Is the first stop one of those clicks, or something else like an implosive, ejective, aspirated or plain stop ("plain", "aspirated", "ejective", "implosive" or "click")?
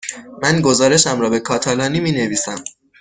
plain